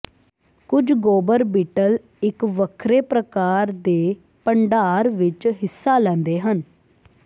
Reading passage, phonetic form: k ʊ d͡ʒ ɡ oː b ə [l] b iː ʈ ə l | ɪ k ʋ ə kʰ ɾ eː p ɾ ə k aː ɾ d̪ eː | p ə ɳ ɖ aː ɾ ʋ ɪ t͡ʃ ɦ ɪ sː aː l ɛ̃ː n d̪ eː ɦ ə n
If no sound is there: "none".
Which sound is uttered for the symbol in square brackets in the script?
ɾ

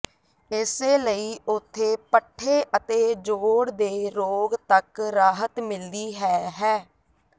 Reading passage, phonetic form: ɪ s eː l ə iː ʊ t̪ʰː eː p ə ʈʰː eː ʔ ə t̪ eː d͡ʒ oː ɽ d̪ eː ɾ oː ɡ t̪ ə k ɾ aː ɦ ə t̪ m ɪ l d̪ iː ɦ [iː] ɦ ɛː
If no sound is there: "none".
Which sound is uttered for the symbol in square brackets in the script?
ɛː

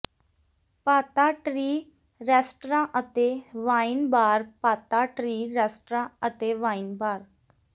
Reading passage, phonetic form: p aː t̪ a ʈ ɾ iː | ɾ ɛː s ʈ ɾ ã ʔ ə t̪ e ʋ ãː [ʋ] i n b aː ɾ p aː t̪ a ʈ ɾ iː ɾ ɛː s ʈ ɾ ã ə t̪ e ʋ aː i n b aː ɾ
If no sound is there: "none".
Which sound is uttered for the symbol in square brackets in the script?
none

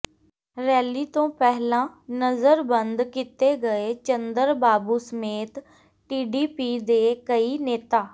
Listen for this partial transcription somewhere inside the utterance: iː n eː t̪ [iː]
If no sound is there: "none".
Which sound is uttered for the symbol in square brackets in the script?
aː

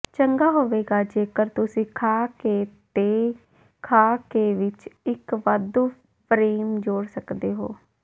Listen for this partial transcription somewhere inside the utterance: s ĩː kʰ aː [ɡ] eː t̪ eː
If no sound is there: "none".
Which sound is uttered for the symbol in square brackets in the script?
k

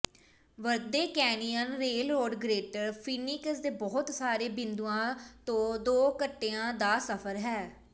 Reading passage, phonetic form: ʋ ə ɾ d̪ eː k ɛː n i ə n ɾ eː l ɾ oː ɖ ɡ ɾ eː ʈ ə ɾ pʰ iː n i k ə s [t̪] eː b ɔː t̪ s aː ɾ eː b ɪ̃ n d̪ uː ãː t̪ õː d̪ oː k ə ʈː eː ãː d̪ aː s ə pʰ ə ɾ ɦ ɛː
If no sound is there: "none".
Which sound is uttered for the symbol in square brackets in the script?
d̪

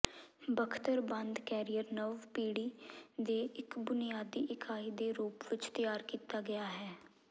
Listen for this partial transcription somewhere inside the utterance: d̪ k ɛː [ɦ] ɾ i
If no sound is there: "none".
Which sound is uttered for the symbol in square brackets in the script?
none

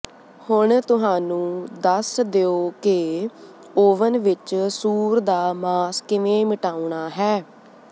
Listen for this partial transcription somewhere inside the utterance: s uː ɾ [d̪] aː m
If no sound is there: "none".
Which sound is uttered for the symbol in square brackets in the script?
d̪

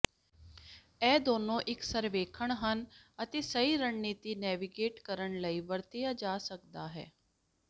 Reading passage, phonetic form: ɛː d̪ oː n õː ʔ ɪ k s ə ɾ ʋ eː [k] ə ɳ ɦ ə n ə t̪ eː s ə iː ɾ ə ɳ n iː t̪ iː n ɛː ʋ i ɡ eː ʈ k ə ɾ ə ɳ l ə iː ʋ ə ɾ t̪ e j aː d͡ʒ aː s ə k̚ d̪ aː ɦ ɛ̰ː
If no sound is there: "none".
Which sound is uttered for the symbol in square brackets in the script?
kʰ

